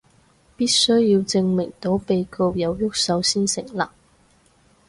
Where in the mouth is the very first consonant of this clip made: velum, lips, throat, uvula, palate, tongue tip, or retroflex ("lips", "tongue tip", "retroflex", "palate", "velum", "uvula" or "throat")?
lips